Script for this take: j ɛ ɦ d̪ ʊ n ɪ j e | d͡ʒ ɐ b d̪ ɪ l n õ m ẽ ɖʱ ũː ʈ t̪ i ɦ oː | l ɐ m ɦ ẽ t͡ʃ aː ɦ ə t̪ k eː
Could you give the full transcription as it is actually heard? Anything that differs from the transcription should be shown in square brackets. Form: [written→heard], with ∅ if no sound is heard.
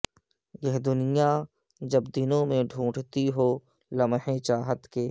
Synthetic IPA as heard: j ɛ ɦ d̪ ʊ n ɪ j [e→a] | d͡ʒ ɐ b d̪ ɪ [l→∅] n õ m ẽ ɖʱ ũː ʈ t̪ i ɦ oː | l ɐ m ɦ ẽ t͡ʃ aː ɦ ə t̪ k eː